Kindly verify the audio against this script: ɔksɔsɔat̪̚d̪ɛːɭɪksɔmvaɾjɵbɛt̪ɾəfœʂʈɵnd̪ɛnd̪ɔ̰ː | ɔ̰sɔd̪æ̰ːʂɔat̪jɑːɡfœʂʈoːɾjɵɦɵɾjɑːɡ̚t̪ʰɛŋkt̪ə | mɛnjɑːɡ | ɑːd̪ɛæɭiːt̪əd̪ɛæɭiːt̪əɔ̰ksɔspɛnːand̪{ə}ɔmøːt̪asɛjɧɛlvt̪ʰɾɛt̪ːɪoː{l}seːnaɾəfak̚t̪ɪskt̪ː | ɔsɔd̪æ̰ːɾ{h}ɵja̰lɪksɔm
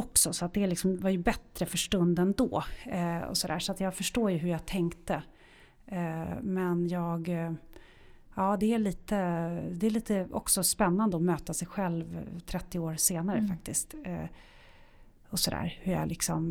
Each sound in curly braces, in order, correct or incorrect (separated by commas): correct, incorrect, correct